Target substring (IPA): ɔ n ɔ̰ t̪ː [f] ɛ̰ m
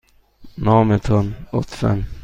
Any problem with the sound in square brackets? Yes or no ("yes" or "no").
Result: no